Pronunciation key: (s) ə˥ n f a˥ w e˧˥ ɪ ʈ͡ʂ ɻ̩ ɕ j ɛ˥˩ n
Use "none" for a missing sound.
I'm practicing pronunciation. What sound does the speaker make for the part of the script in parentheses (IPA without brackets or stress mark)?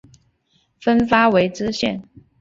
f